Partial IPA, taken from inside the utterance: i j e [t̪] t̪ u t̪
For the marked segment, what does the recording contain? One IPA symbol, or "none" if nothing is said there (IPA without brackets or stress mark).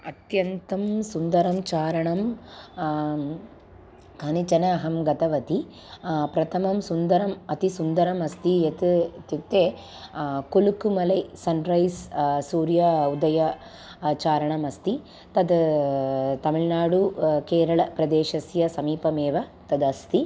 t̪